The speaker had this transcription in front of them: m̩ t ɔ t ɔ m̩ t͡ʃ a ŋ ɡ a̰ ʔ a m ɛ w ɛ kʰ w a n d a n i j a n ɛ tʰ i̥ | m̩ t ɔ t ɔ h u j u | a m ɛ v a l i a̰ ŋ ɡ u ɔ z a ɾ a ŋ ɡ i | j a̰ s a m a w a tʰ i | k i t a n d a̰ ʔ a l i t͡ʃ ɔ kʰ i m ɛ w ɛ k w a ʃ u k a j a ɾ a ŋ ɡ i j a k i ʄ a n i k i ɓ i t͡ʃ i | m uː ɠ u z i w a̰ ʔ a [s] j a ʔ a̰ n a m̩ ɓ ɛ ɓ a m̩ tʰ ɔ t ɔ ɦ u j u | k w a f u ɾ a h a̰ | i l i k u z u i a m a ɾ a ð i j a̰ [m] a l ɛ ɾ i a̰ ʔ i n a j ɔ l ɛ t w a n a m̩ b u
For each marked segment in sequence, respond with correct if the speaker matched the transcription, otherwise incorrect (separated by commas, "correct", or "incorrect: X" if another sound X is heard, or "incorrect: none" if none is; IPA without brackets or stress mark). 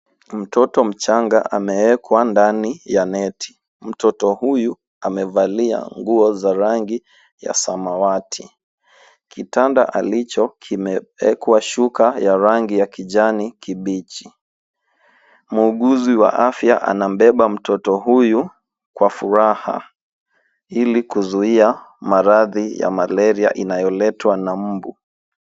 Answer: incorrect: f, correct